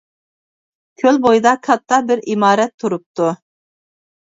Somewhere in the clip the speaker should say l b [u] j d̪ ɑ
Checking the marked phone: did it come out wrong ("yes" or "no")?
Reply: yes